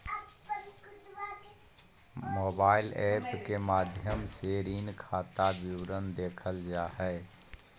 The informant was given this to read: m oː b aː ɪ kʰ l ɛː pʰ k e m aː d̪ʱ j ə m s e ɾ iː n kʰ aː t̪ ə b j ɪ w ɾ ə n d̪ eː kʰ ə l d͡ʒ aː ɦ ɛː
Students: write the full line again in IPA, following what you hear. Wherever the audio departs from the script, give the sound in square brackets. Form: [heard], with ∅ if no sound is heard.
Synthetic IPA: m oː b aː ɪ [∅] l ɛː [p] k e m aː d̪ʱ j ə m s e ɾ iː n kʰ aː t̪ [a] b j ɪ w ɾ ə n d̪ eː kʰ ə l d͡ʒ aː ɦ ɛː